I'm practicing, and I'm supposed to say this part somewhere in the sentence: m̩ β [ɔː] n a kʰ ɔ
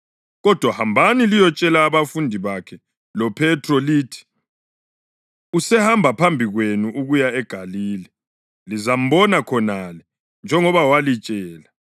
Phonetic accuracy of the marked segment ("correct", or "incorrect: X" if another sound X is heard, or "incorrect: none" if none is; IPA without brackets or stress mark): incorrect: ɔ